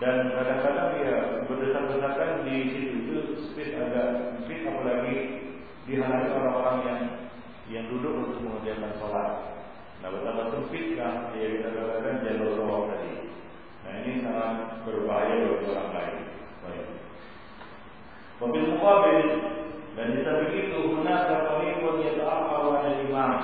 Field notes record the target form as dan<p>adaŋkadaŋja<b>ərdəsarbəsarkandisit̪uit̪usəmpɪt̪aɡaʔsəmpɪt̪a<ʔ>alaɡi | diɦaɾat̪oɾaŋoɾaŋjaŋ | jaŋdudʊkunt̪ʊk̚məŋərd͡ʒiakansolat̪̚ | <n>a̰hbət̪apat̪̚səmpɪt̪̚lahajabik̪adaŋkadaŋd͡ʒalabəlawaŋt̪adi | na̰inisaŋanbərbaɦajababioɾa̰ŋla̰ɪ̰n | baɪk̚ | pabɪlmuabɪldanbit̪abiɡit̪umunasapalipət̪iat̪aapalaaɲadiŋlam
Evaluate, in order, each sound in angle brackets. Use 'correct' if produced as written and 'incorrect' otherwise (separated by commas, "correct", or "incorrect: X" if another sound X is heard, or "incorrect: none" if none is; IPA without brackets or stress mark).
incorrect: k, correct, incorrect: p, correct